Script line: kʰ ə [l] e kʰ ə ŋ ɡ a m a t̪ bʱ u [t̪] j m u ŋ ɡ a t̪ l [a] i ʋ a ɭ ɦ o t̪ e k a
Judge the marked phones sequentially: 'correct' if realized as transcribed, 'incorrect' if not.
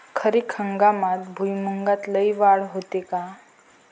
incorrect: ɾ, incorrect: none, incorrect: ə

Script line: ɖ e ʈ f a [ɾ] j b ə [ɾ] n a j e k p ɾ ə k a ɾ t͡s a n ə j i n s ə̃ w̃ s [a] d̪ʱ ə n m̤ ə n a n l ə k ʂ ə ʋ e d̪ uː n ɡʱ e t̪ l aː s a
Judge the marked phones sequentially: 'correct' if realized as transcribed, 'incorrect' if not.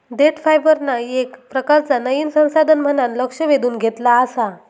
incorrect: none, correct, correct

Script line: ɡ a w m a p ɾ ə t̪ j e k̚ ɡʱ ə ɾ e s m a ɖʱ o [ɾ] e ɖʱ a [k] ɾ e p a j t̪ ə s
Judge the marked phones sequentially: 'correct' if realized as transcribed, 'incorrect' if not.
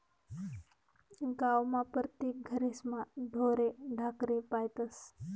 correct, correct

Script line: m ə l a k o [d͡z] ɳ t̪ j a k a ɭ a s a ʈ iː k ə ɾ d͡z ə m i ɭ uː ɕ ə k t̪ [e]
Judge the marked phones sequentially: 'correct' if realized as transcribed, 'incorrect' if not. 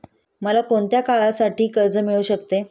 incorrect: none, correct

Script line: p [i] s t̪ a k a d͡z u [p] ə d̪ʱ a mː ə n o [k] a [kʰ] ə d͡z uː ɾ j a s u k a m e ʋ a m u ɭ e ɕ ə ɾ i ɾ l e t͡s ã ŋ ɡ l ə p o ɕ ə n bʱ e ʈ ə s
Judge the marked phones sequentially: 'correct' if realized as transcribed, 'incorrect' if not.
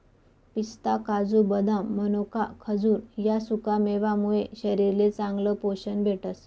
correct, incorrect: b, correct, correct

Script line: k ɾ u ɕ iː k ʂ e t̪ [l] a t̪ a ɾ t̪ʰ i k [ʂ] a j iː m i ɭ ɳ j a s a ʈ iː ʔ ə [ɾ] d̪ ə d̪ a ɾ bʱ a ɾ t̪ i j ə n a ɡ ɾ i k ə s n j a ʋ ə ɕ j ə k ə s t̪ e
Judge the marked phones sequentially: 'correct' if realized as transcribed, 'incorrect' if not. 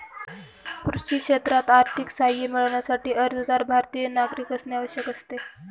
incorrect: ɾ, incorrect: s, correct

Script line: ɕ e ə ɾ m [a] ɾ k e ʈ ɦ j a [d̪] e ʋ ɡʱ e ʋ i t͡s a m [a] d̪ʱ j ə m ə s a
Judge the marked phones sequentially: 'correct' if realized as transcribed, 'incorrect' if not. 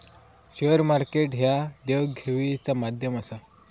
correct, correct, correct

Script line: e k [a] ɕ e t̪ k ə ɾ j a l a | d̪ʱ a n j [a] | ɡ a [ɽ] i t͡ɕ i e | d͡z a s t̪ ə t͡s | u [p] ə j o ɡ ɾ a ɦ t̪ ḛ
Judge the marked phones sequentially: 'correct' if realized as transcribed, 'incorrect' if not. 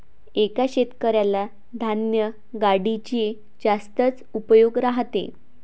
correct, incorrect: ə, correct, correct

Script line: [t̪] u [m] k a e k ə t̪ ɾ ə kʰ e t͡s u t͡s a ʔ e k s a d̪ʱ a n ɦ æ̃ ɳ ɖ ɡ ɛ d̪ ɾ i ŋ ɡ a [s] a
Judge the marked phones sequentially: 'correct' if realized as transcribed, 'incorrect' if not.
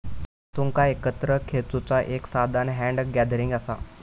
correct, incorrect: ŋ, correct

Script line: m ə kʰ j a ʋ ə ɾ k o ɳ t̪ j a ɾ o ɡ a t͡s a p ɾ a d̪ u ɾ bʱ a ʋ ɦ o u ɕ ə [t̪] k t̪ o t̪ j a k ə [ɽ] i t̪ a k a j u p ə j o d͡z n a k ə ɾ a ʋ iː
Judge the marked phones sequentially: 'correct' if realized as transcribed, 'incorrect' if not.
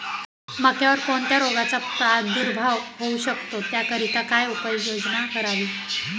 incorrect: none, incorrect: ɾ

